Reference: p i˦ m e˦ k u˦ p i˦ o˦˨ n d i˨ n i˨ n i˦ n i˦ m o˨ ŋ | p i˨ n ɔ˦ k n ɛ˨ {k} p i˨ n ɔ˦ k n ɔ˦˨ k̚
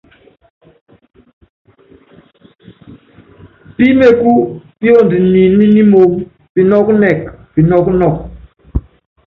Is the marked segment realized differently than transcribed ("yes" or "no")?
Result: no